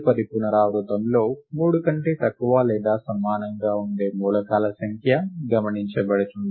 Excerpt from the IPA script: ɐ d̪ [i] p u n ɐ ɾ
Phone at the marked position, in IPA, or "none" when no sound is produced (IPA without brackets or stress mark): i